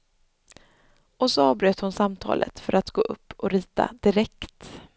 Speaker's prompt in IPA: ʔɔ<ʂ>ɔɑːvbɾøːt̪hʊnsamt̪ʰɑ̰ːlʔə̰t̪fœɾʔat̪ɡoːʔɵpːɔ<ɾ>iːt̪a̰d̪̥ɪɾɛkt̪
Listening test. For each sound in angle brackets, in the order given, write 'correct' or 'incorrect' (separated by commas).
incorrect, correct